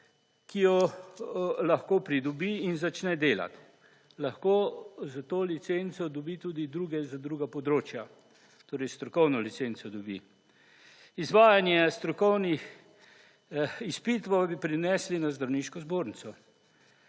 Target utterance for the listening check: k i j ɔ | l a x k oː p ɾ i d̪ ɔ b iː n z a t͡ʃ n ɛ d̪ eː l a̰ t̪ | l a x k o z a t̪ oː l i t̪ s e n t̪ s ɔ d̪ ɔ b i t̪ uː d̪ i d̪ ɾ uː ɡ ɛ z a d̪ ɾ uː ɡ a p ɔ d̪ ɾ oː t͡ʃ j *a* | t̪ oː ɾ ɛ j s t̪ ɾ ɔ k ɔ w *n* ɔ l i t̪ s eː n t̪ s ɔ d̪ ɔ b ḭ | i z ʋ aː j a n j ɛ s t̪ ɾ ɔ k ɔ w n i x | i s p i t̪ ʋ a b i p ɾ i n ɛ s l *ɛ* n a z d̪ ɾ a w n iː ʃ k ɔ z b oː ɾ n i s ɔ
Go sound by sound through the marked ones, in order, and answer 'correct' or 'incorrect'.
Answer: correct, correct, incorrect: i

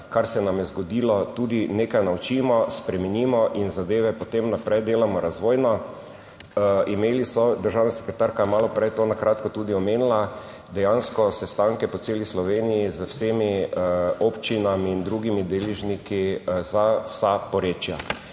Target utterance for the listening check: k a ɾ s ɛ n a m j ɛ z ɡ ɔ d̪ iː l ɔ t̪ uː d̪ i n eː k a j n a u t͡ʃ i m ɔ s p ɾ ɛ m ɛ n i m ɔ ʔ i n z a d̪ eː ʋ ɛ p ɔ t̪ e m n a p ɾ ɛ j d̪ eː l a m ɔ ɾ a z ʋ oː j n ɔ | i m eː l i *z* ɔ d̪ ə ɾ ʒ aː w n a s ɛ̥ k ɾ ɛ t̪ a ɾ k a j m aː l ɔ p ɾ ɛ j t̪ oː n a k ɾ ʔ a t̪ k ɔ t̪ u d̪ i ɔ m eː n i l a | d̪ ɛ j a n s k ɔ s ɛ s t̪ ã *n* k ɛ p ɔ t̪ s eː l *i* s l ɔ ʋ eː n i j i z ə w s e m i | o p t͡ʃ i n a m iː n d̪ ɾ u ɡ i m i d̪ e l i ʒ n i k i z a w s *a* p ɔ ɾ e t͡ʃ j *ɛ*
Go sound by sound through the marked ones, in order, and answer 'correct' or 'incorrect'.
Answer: incorrect: s, incorrect: ŋ, correct, correct, incorrect: a

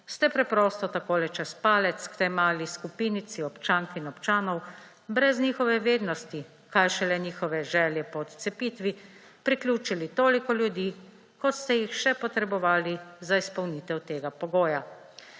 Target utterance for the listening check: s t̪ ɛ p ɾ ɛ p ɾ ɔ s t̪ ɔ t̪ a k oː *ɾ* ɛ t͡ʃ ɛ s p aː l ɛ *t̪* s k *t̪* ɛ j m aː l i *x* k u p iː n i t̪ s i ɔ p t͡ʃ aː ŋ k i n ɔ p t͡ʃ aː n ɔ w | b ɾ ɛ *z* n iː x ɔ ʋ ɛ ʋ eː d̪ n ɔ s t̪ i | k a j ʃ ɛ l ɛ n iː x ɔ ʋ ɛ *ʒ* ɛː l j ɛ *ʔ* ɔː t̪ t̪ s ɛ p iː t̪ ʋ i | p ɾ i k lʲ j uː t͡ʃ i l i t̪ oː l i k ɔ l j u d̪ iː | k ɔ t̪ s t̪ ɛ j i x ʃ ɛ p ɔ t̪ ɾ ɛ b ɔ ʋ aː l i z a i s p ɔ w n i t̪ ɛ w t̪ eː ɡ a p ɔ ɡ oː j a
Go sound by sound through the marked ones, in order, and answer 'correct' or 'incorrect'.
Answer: incorrect: l, correct, correct, incorrect: s, correct, correct, incorrect: p

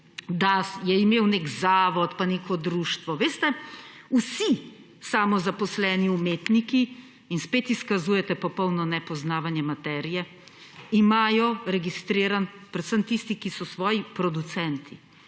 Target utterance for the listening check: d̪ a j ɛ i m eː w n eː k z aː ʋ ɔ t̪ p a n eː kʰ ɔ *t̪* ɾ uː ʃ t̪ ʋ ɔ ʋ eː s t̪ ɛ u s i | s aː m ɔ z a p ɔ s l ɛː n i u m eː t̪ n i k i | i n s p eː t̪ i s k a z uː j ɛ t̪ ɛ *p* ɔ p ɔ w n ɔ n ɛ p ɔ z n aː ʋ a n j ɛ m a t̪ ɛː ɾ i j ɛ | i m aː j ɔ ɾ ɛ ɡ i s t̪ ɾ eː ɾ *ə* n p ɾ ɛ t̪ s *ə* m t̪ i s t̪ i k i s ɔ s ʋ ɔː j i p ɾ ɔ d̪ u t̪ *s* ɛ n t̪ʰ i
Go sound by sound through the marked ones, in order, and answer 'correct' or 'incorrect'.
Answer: incorrect: d̪, correct, incorrect: a, correct, correct

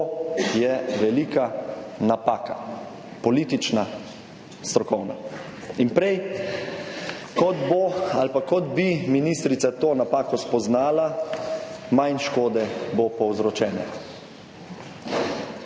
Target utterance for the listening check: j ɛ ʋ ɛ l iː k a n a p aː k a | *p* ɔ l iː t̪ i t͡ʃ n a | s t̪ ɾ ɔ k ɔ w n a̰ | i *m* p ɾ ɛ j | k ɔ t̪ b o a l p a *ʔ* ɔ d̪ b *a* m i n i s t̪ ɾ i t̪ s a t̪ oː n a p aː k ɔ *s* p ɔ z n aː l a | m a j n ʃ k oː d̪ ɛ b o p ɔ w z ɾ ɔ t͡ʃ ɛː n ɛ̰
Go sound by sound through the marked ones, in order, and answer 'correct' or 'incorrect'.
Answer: correct, incorrect: n, incorrect: k, incorrect: i, correct

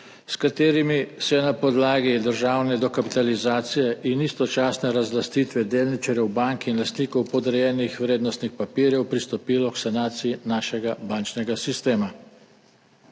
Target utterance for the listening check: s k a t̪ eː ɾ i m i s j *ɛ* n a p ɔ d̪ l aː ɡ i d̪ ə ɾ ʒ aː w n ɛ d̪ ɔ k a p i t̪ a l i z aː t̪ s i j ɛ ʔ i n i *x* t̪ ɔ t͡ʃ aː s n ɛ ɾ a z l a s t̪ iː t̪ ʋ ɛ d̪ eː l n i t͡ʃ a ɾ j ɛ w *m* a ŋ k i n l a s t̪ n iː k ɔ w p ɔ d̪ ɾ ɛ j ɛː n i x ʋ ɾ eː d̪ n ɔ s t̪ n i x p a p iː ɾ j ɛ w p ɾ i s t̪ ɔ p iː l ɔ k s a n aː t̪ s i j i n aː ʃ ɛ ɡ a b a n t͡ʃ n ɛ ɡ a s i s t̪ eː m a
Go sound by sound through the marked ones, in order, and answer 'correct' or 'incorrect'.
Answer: correct, incorrect: s, incorrect: b

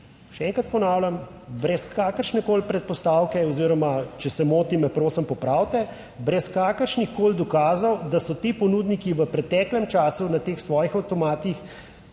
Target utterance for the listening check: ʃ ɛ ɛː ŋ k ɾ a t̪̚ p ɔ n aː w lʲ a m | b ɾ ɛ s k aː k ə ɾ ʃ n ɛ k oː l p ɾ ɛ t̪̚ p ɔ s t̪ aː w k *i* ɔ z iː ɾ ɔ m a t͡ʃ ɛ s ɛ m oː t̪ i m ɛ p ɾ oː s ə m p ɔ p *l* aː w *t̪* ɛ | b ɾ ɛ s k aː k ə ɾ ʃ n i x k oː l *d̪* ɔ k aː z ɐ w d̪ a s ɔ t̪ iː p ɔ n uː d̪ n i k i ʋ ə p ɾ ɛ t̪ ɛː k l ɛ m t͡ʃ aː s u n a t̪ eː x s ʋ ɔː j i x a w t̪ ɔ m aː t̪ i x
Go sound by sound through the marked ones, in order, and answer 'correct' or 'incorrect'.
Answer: incorrect: ɛ, incorrect: ɾ, correct, correct

